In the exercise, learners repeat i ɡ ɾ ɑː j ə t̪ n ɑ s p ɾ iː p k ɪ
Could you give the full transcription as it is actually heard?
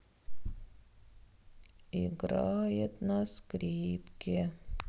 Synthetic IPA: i ɡ ɾ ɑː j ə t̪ n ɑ s k ɾ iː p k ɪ